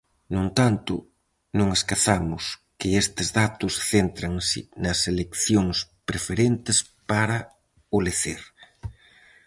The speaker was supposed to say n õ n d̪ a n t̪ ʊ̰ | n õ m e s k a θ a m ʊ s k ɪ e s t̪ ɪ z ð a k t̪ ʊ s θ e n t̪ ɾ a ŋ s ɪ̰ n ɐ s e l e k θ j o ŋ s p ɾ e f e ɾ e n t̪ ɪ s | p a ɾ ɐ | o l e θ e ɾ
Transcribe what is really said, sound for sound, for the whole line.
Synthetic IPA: n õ n t̪ a n t̪ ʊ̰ | n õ ŋ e s k a θ a m ʊ s k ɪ e s t̪ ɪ z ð a t̪ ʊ s θ e n t̪ ɾ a ŋ s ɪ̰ n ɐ s e l e k θ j o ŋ s p ɾ e f e ɾ e n t̪ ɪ s | p a ɾ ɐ | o l e θ e ɾ